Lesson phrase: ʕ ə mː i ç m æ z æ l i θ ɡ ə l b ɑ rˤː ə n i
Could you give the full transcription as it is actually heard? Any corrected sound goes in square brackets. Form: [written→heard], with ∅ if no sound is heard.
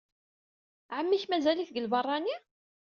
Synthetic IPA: ʕ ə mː i ç m æ z æ l i θ ɡ ə l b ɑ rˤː [ə→ɑ] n i